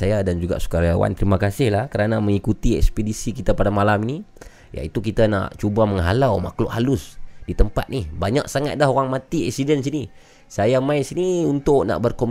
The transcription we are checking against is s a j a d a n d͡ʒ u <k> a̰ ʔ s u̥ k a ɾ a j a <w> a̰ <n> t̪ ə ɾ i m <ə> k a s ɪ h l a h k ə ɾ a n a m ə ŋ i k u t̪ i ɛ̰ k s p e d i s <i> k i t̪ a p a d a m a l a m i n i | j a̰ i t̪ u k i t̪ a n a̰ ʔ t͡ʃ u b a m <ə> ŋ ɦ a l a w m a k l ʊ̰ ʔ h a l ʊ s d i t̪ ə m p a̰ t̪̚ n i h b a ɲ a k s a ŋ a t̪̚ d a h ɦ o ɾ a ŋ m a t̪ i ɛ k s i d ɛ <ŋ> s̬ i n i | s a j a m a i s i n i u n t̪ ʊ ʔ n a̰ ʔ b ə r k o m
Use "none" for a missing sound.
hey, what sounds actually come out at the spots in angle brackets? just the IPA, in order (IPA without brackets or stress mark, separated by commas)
ɡ, w, n, a, i, ə, n